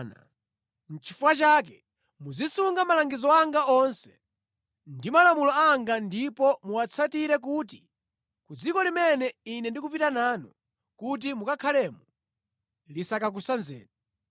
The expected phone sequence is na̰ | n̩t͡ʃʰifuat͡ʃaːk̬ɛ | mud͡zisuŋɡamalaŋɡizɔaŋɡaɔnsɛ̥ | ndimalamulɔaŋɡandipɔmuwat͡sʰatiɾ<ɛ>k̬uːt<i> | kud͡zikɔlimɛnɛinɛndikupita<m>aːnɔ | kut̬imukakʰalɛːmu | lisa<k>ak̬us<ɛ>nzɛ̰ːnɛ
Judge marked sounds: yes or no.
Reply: yes, yes, no, yes, no

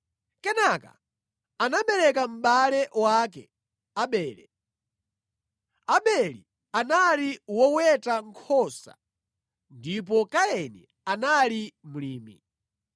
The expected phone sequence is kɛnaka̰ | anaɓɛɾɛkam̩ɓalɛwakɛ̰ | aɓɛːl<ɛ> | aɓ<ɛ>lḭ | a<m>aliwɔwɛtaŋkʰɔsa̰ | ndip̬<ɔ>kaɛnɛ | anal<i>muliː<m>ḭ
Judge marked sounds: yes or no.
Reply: yes, yes, no, yes, yes, yes

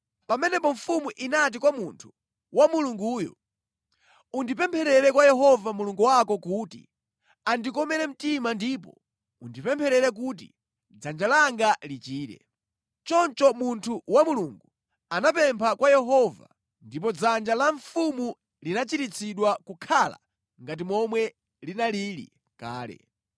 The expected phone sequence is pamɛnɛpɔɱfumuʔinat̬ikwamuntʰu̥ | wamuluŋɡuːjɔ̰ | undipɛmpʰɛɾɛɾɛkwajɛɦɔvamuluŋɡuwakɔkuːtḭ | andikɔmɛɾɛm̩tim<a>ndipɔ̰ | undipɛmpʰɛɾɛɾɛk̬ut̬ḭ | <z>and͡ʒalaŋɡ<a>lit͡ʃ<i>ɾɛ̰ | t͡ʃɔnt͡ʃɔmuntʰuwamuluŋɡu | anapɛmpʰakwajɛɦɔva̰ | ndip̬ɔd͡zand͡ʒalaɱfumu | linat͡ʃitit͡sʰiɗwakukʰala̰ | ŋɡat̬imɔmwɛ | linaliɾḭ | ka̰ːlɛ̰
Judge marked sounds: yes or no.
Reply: yes, no, yes, no

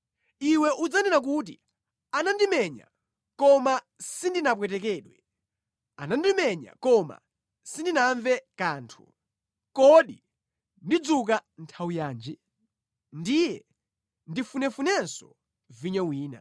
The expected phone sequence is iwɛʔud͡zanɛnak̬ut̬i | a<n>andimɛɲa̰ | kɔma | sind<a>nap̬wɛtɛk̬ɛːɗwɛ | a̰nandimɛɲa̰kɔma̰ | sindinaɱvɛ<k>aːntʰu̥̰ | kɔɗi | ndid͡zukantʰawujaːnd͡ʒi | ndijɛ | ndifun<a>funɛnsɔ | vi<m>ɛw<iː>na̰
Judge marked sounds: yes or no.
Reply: yes, no, yes, no, no, yes

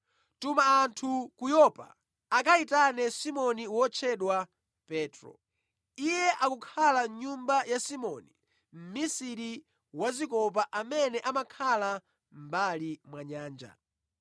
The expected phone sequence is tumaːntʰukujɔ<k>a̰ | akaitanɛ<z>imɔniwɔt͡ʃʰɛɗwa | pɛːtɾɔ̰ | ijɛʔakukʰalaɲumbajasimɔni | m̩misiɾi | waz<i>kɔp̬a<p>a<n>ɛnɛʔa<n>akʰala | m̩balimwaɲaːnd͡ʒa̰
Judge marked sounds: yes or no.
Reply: no, no, yes, no, no, no

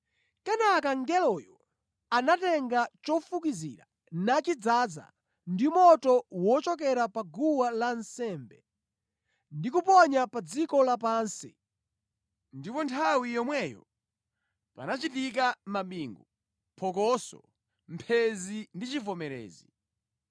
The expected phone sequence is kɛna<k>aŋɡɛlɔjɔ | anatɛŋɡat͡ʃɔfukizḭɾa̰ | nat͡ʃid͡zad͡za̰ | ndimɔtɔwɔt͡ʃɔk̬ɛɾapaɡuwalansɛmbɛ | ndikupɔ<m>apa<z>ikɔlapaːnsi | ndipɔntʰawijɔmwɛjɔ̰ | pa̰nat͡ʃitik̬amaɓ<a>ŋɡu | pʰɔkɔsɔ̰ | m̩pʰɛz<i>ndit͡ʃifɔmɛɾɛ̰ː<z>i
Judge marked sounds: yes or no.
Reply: yes, no, no, no, yes, yes

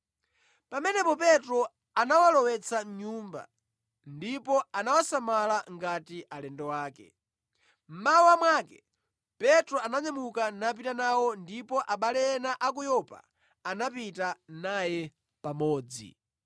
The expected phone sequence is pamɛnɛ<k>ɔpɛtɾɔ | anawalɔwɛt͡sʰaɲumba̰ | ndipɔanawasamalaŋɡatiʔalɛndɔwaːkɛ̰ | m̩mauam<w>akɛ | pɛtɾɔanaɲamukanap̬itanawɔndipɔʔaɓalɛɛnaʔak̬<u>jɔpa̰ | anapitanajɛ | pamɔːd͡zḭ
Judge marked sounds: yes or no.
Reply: no, yes, yes

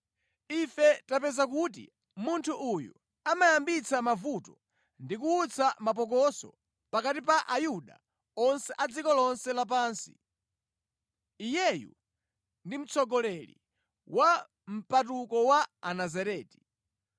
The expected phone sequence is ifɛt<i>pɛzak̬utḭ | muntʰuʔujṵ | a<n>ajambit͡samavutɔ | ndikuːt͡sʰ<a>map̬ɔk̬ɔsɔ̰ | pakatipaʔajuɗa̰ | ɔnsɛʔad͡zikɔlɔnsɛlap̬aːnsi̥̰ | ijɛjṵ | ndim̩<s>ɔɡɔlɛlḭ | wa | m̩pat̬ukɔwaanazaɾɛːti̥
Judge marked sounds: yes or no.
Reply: no, no, yes, no

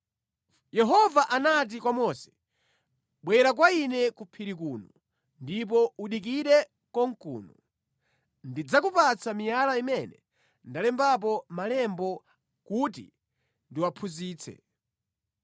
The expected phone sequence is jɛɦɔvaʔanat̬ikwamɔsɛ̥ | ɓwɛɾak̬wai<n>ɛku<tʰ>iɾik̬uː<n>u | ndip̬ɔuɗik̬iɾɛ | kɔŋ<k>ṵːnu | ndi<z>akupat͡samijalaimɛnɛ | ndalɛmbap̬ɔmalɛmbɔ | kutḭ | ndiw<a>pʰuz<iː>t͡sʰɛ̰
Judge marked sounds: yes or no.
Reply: yes, no, yes, yes, no, yes, yes

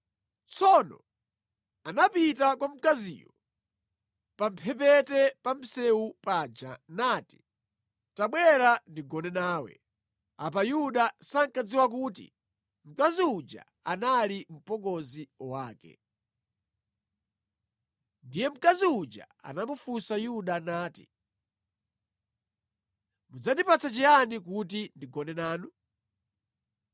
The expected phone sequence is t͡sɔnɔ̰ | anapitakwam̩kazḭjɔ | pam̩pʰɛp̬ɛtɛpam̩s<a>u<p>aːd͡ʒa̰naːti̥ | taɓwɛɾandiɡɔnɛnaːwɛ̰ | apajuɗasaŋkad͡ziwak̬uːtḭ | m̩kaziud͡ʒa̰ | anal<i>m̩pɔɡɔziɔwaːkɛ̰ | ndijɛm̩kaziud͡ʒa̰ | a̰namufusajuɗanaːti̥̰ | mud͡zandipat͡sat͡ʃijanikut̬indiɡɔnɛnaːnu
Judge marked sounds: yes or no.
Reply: no, yes, yes

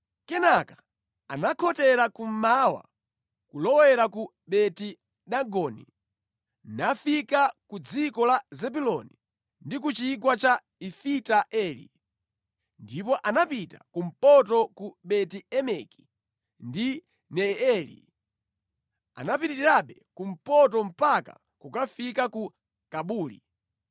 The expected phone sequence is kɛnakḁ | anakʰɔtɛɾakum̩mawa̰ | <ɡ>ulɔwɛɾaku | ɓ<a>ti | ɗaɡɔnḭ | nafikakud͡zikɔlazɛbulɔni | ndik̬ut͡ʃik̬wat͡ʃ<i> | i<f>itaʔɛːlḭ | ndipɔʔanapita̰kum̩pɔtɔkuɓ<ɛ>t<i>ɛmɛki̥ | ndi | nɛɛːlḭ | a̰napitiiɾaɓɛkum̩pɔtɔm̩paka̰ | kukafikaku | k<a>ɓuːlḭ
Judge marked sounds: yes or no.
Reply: no, no, no, yes, yes, yes, yes

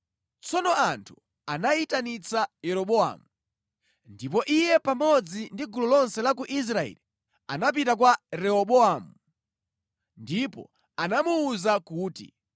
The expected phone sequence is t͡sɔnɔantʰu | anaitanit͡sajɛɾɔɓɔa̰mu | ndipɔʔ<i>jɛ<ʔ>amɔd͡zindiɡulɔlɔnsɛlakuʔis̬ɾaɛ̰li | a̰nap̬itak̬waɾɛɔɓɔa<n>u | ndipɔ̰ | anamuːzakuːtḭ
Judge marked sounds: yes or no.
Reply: yes, no, no

